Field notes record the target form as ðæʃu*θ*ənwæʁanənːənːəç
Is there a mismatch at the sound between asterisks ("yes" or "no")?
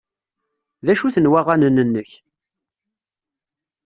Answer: no